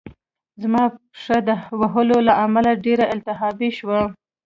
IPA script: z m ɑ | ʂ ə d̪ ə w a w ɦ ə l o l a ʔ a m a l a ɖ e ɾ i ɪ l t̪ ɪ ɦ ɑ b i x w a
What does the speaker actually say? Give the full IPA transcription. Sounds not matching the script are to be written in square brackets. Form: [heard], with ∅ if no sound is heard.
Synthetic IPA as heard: z m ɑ | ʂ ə d̪ ə w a [∅] ɦ ə l o l a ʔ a m a l a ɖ e ɾ [a] ɪ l t̪ ɪ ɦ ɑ b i [ʃ] w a